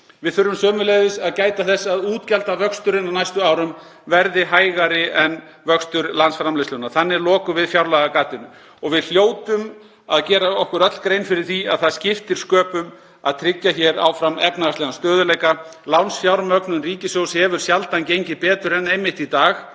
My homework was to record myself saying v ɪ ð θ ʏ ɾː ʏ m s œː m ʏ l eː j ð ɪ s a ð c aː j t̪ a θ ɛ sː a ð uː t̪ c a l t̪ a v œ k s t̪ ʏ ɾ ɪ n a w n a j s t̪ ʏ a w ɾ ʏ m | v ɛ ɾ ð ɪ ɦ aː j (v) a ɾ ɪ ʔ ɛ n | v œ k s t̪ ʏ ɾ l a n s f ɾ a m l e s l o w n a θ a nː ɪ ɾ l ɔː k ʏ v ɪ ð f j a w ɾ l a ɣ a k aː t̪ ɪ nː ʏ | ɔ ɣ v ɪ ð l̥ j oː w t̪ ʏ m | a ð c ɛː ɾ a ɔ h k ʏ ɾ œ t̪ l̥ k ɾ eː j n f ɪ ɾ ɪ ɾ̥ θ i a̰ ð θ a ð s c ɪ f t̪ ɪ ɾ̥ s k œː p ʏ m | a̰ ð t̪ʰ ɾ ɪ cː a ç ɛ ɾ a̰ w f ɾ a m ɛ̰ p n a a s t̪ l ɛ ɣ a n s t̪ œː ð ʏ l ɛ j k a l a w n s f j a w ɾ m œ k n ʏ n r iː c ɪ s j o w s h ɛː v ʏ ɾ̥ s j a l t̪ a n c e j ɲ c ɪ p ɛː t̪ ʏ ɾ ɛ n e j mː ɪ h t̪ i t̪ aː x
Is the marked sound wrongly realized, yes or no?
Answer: yes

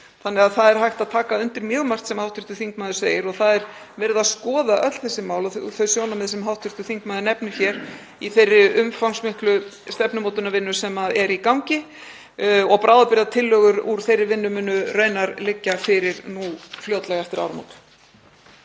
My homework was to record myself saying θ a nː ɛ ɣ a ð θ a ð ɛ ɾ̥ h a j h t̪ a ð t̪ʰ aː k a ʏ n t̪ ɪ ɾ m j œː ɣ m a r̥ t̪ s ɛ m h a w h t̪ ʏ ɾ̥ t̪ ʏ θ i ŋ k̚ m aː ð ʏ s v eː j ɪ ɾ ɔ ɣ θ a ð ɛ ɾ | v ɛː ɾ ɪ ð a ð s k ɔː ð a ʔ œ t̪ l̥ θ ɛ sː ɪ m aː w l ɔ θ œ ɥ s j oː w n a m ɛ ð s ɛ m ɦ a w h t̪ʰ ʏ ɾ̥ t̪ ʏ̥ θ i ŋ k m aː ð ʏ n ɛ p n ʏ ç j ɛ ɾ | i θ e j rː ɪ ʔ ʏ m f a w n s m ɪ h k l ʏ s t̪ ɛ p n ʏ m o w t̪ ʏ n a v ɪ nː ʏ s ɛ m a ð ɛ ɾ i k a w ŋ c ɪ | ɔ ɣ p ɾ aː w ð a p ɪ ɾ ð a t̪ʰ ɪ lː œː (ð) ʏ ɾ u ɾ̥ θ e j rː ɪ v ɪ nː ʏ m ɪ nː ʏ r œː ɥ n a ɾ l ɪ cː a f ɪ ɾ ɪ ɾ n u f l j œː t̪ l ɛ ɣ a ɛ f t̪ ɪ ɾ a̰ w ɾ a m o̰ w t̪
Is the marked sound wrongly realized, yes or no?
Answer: yes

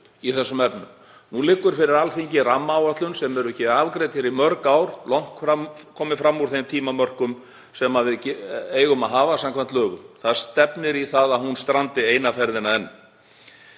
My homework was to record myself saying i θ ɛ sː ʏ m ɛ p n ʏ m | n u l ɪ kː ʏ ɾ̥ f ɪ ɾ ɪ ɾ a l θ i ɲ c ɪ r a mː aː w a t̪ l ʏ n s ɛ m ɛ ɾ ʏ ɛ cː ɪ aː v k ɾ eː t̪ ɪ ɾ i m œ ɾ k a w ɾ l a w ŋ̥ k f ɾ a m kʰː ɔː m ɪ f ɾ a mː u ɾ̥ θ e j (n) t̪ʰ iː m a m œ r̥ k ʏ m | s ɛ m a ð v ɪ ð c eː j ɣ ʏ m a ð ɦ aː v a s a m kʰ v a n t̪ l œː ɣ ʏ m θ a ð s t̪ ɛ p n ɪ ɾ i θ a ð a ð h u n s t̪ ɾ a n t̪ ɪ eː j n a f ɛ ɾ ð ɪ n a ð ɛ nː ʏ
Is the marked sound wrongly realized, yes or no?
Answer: yes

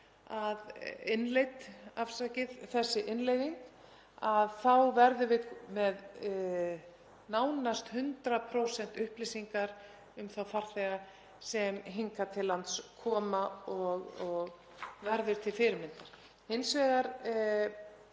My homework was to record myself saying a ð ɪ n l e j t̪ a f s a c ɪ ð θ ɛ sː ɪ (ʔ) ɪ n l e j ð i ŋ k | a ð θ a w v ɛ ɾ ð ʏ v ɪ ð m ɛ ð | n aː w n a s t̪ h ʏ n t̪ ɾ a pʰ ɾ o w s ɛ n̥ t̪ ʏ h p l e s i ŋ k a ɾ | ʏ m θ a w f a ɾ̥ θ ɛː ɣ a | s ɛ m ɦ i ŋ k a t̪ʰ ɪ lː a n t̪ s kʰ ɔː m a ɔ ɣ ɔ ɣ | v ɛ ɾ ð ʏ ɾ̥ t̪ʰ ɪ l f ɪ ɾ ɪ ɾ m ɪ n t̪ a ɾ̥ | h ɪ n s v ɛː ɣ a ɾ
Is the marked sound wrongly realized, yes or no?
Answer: no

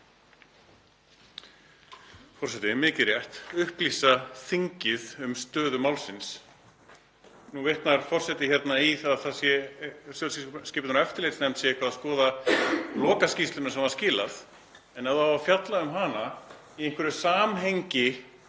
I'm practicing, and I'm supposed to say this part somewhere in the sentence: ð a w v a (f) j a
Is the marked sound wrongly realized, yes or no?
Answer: no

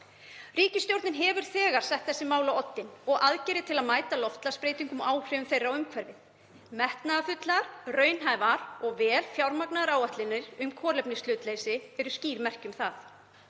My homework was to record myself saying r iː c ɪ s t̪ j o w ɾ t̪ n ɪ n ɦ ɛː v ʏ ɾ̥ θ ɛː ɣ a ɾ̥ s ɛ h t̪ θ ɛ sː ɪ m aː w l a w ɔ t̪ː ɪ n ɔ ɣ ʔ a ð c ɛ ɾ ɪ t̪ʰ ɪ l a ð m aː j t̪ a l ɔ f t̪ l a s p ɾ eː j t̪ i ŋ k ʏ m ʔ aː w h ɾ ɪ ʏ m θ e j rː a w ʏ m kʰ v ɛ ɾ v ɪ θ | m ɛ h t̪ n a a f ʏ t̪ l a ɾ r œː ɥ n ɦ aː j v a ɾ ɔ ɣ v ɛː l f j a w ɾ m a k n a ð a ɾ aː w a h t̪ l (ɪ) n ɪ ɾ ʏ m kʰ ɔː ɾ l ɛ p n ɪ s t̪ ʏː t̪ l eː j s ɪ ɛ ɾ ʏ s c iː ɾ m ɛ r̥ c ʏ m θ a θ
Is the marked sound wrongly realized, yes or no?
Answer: no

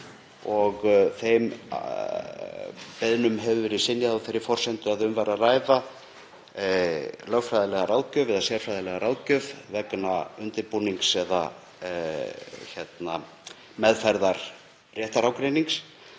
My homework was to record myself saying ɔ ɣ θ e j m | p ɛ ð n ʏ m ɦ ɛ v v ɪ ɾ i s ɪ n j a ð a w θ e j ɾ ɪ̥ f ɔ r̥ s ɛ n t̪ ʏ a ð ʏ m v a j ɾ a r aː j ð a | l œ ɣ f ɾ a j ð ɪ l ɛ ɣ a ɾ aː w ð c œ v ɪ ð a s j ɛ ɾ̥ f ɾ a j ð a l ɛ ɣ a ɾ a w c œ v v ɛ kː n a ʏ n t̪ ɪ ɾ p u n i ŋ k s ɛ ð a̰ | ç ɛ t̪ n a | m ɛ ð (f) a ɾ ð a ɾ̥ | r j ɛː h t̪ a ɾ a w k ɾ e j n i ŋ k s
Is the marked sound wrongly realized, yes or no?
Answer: no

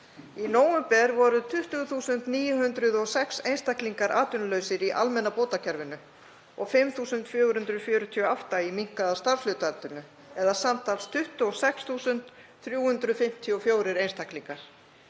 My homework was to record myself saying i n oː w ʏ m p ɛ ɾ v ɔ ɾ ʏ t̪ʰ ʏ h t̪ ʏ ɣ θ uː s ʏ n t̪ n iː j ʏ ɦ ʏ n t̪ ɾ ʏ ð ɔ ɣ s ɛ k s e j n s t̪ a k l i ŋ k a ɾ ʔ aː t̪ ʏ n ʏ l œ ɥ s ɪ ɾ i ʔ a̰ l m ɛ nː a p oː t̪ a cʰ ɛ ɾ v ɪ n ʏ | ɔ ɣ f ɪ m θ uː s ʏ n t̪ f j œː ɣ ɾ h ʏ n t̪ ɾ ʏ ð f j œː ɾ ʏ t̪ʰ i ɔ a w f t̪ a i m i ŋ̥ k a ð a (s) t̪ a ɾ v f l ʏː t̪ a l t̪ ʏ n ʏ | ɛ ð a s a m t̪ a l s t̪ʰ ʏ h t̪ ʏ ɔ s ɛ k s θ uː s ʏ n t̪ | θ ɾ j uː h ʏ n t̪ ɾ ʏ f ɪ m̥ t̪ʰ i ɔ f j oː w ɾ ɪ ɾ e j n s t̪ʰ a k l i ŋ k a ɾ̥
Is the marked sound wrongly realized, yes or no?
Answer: no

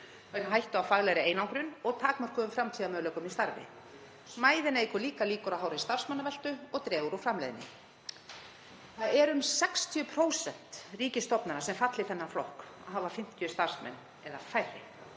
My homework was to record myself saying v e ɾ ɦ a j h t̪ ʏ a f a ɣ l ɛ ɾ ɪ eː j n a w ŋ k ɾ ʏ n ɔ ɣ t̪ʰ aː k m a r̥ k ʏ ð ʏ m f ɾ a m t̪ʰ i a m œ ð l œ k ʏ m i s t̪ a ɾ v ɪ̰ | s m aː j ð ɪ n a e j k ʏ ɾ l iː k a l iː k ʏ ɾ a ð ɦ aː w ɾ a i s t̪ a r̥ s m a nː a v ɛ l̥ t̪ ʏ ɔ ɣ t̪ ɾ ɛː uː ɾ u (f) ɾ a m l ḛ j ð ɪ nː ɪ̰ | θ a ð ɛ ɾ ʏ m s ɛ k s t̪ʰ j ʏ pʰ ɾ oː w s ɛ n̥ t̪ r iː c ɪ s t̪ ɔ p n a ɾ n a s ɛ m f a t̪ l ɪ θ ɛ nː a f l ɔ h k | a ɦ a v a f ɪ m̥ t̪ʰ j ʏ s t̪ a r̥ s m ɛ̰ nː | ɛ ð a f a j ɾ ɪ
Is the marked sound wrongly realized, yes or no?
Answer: no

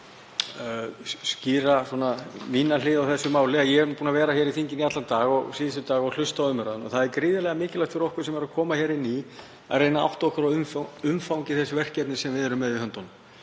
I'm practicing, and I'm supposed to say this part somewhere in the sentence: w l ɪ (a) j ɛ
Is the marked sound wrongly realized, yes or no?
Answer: no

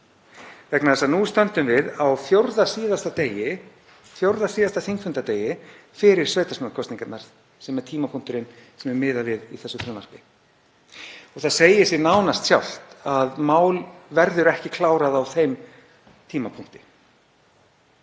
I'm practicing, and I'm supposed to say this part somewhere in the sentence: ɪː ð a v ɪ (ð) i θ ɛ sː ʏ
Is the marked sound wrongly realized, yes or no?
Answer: no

